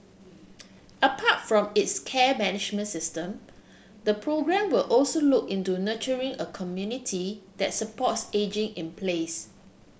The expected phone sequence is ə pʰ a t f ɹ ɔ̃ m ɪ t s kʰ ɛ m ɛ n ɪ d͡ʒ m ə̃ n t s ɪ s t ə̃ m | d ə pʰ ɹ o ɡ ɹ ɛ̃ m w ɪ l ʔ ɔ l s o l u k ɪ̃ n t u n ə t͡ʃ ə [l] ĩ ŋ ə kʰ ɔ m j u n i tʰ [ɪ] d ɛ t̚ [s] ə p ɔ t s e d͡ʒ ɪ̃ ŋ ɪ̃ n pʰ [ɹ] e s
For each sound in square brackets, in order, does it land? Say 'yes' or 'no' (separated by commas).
no, no, yes, no